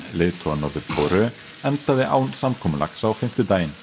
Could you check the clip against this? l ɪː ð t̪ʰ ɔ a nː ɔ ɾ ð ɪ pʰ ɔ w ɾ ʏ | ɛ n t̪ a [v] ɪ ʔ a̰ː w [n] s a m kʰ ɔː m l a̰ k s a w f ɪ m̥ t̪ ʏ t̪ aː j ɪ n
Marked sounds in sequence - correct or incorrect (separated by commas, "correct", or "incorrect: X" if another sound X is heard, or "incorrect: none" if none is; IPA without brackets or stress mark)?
incorrect: ð, correct